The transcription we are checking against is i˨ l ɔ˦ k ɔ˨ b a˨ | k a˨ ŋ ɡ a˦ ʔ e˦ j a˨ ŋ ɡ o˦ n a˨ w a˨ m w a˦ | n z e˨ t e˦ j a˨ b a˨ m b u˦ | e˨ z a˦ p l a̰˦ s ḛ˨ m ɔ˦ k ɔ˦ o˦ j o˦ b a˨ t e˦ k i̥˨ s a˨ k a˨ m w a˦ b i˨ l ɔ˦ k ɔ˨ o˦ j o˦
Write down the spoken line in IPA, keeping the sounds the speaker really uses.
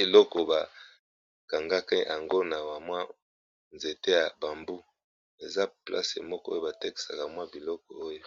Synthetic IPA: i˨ l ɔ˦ k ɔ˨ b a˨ | k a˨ ŋ ɡ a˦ k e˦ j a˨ ŋ ɡ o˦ n a˨ w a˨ m w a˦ | n z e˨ t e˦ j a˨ b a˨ m b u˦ | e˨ z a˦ p l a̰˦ s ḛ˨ m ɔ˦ k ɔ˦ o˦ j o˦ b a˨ t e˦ k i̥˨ s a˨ k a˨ m w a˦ b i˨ l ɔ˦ k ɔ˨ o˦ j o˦

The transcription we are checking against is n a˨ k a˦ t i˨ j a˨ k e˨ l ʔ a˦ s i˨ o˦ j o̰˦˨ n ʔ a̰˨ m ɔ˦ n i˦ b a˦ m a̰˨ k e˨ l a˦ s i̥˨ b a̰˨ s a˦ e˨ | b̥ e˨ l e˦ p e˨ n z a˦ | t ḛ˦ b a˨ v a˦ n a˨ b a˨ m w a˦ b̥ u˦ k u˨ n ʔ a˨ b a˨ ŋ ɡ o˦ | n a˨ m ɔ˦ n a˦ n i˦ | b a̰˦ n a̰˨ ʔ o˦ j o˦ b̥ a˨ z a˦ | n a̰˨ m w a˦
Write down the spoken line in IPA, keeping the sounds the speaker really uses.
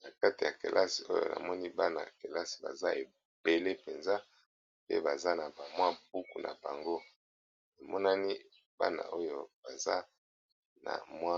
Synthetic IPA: n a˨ k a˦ t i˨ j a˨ k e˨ l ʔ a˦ s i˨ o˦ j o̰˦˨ n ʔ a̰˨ m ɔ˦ n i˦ b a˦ n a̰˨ k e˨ l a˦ s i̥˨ b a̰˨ z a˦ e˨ | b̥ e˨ l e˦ p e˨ n z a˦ | p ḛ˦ b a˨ z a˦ n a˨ b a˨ m w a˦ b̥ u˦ k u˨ n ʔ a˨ b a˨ ŋ ɡ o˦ | n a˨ m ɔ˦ n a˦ n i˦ | b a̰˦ n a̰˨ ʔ o˦ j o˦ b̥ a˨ z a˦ | n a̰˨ m w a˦

